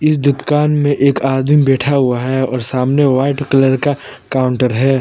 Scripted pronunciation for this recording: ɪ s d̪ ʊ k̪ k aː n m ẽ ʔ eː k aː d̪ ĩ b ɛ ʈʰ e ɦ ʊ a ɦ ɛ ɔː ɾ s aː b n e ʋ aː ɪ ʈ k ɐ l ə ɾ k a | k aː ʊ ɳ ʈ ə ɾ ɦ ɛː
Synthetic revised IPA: ɪ s d̪ ʊ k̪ k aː n m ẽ ʔ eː k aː d̪ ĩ b ɛː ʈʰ a ɦ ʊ a ɦ ɛ ɔː ɾ s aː m n e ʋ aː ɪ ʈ k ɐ l ə ɾ k a | k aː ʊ ɳ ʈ ə ɾ ɦ ɛː